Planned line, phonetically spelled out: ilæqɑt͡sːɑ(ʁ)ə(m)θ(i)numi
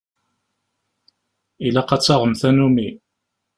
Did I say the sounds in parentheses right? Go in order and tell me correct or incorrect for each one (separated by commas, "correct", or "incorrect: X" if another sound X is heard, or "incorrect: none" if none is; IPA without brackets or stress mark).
correct, correct, incorrect: æ